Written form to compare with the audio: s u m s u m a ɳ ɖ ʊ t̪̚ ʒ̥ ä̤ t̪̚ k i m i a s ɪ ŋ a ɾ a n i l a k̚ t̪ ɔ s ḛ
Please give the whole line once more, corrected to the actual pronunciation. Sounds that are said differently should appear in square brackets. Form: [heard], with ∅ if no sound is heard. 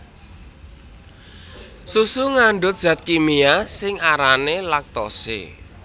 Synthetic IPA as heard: s u [∅] s u [ŋ] a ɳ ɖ ʊ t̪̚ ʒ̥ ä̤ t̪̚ k i m i a s ɪ ŋ a ɾ a n [e] l a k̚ t̪ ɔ s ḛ